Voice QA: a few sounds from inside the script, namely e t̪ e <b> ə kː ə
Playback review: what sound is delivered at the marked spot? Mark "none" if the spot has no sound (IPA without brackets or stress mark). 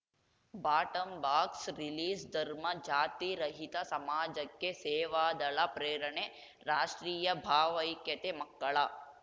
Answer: m